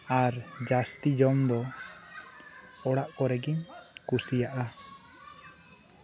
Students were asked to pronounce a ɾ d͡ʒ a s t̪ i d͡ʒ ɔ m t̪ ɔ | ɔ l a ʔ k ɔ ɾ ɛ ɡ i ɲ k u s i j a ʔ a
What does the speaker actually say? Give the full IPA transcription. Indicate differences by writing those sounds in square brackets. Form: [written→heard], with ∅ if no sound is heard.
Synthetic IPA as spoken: a ɾ d͡ʒ a s t̪ i d͡ʒ ɔ m [t̪→d̪] ɔ | ɔ [l→ɽ] a ʔ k ɔ ɾ ɛ ɡ i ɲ k u s i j a ʔ a